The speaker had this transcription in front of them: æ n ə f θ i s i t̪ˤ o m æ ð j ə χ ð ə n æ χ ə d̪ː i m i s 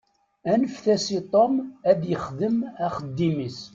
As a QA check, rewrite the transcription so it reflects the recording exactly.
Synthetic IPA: æ n ə f θ æ s i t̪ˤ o m æ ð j ə χ ð ə m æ χ ə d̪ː i m i s